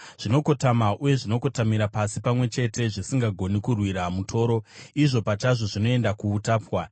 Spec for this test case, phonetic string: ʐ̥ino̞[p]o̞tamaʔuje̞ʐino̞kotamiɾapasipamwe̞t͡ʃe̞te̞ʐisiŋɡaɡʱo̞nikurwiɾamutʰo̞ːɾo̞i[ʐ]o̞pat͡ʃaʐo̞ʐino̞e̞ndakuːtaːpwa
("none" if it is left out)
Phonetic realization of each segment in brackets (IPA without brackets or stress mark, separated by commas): k, ʐ